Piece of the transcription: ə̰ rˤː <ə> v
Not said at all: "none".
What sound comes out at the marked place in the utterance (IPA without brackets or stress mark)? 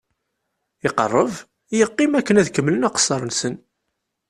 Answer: ə